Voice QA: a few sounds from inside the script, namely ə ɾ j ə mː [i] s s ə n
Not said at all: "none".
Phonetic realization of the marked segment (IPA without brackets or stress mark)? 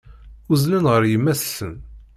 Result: æ